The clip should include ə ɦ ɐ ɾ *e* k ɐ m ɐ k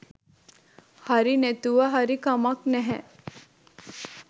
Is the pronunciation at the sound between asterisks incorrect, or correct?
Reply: incorrect